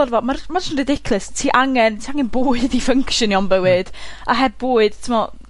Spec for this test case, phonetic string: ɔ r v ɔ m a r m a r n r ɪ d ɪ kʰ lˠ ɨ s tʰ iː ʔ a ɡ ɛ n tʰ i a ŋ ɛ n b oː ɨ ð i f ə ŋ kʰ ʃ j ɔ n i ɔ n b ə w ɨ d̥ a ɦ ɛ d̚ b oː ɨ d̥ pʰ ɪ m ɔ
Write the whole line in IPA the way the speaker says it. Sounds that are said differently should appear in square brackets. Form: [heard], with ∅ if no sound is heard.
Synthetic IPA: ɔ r v ɔ m a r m a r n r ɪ d ɪ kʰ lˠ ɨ s tʰ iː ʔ a [ŋ] ɛ n tʰ i a ŋ ɛ n b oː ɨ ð i f ə ŋ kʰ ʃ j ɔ n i ɔ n b ə w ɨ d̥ a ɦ ɛ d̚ b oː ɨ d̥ [tʰ] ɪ m ɔ